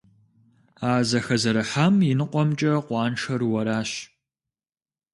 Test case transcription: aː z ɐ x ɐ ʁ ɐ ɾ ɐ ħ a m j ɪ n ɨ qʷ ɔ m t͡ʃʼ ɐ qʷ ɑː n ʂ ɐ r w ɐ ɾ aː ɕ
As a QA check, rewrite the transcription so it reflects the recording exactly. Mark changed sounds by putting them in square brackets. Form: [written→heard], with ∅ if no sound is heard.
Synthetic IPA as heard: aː z ɐ x ɐ [ʁ→z] ɐ ɾ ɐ ħ a m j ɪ n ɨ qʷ ɔ m t͡ʃʼ ɐ qʷ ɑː n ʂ ɐ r w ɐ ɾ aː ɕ